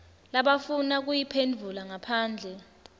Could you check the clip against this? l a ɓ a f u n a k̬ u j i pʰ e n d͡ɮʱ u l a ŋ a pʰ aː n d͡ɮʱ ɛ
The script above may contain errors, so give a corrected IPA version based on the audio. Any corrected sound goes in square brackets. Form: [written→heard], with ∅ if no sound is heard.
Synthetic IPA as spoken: l a ɓ a f u n a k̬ u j i pʰ e n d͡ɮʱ u l a ŋ a pʰ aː n d͡ɮʱ ɛ